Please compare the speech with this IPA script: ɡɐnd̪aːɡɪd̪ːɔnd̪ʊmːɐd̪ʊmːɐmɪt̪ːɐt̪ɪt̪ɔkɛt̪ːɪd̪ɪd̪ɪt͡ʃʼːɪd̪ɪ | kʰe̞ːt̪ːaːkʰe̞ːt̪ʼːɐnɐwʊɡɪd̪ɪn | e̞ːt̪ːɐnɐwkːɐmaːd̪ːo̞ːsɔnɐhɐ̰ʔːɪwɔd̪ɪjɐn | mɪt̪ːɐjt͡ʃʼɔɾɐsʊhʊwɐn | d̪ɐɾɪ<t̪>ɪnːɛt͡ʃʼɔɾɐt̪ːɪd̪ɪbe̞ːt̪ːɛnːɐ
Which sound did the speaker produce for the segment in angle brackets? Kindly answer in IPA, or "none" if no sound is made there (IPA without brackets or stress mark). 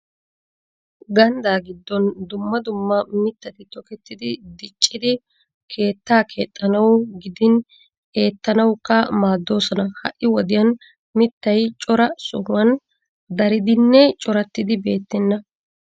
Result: d̪